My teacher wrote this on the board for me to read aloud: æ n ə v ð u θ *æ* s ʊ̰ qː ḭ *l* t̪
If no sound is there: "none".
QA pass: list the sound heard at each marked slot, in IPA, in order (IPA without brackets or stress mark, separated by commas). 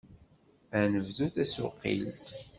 æ, l